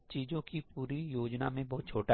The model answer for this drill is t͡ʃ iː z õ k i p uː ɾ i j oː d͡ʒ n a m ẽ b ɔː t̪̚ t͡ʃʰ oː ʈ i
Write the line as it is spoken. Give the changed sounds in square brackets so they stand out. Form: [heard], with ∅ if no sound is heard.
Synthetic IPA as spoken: t͡ʃ iː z õ k i p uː ɾ i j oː d͡ʒ n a m ẽ b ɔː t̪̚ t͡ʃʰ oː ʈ [a]